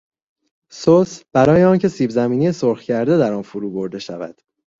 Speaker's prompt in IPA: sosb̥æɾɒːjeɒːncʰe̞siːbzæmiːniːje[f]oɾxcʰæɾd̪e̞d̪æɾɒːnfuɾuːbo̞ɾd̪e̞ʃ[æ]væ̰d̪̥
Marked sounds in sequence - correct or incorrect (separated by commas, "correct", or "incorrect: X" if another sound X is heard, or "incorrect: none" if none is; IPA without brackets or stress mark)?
incorrect: s, correct